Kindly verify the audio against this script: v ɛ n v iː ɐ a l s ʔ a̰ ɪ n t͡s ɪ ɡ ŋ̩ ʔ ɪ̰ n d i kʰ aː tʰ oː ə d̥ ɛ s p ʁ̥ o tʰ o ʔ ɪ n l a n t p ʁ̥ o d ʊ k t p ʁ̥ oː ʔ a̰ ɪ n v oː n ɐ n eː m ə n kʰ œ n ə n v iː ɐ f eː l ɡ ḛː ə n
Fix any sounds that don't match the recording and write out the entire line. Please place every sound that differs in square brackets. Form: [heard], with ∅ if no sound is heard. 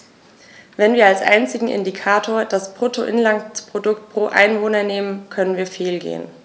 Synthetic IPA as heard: v ɛ n v iː ɐ a l s ʔ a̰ ɪ n t͡s ɪ ɡ ŋ̩ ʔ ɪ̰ n d i kʰ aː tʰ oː [ɐ] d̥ [a] s p ʁ̥ o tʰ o ʔ ɪ n l a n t p ʁ̥ o d ʊ k t p ʁ̥ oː ʔ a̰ ɪ n v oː n ɐ n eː m ə n kʰ œ n ə n v iː ɐ f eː l ɡ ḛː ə n